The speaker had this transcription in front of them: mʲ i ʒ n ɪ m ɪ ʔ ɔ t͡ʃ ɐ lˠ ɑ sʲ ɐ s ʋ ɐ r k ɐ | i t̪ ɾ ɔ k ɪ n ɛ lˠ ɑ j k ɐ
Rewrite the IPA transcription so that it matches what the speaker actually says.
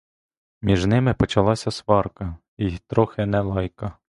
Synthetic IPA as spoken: mʲ i ʒ n ɪ m ɪ p ɔ t͡ʃ ɐ lˠ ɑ sʲ ɐ s ʋ ɑ r k ɐ | i t̪ ɾ ɔ x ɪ n ɛ lˠ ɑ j k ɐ